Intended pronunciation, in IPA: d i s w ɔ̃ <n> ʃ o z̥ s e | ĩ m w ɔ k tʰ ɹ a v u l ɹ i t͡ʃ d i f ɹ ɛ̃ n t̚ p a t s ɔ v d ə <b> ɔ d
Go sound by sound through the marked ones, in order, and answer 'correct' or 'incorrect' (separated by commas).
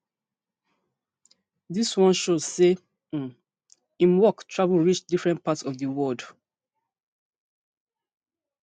correct, incorrect